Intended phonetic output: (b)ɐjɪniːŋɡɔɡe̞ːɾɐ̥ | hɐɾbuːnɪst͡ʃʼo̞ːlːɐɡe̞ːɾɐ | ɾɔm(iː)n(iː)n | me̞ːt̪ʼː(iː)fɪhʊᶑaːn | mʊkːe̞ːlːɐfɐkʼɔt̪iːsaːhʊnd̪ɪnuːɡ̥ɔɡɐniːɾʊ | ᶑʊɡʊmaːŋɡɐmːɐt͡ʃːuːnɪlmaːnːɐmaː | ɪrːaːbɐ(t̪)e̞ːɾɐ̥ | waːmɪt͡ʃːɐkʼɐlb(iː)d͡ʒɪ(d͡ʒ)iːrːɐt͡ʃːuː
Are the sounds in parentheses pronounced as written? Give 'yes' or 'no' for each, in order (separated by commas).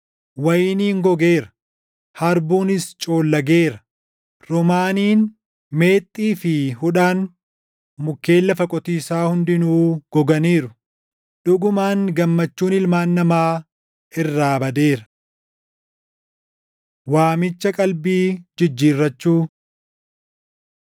no, no, yes, yes, no, yes, no